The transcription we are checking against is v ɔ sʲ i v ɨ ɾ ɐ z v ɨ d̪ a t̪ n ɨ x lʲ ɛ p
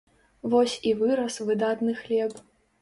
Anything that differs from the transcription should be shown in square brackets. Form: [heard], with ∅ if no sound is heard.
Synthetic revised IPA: v ɔ sʲ i v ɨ ɾ ɐ [s] v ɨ d̪ a t̪ n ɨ x lʲ ɛ p